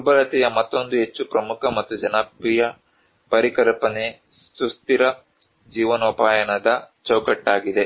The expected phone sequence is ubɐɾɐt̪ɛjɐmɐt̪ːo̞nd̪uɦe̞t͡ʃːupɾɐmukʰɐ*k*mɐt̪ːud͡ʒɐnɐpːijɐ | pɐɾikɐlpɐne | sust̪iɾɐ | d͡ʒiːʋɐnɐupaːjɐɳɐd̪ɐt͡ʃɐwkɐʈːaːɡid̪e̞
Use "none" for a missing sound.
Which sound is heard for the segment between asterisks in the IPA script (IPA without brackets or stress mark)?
none